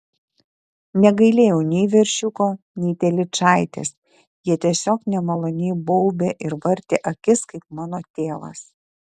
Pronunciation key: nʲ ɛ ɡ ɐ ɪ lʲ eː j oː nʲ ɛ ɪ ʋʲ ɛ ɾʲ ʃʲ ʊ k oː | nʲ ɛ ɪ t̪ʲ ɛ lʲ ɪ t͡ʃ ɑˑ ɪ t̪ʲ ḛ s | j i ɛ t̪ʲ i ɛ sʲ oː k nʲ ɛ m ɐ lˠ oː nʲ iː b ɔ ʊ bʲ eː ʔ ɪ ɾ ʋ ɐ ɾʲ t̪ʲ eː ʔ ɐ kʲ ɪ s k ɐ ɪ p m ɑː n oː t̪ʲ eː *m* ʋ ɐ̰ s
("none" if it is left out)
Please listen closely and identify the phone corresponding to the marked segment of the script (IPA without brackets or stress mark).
none